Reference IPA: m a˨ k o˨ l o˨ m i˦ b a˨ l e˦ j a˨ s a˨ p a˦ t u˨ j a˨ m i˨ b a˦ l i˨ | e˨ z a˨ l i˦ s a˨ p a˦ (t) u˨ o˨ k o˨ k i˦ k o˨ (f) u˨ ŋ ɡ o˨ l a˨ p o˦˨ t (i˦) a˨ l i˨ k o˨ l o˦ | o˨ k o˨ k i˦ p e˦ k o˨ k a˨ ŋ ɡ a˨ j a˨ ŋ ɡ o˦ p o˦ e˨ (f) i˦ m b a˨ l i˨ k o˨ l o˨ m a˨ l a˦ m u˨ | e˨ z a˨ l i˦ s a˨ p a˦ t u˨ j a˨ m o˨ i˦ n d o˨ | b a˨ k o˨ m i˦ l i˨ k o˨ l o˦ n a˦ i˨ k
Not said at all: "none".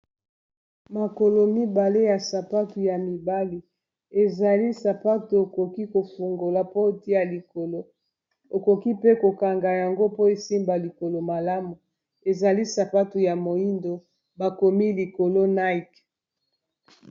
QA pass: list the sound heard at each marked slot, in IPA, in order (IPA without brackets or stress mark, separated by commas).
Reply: t, f, i˦, s